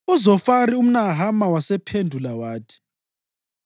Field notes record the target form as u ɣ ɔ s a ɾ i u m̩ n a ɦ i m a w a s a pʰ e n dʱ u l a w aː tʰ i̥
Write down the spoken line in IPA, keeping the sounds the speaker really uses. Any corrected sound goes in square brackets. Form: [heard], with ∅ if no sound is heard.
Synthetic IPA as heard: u [z] ɔ [f] a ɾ i u m̩ n a ɦ [a] m a w a s [ɛ] pʰ e n dʱ u l a w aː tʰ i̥